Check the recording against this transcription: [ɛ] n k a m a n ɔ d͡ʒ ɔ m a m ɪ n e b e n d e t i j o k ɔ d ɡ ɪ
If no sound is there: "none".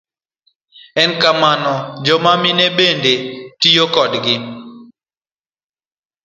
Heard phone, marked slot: ɛ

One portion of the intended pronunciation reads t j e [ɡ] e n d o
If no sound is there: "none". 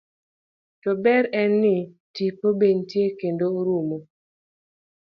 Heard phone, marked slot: k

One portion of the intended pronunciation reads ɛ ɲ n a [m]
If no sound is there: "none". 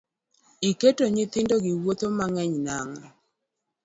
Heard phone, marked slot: ŋ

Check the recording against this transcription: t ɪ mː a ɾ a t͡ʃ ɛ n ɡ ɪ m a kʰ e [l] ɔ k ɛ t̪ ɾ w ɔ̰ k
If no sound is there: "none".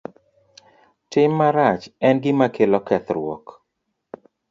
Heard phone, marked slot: l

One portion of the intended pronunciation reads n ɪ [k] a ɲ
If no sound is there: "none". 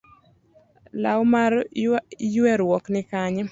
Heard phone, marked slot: k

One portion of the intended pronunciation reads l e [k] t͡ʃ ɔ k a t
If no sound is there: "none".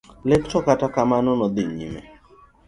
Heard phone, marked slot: k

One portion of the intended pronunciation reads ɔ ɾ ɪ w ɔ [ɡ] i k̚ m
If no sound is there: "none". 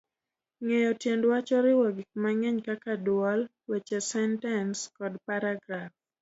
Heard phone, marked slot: ɡ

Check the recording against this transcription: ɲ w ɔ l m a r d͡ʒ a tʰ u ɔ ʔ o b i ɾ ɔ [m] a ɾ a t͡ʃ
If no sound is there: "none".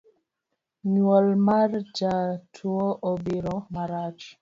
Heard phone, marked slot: m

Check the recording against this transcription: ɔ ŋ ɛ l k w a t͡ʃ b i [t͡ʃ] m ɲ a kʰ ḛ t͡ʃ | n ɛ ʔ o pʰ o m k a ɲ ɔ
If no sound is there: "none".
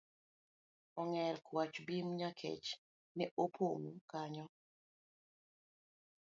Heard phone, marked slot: none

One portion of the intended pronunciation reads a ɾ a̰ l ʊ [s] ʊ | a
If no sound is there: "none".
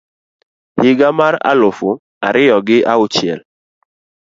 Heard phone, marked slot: f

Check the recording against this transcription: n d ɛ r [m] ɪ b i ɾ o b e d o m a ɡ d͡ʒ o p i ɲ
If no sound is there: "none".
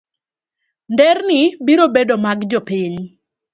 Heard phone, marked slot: n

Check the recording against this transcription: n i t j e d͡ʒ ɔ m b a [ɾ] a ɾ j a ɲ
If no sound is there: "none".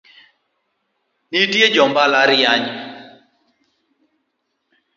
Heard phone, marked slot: l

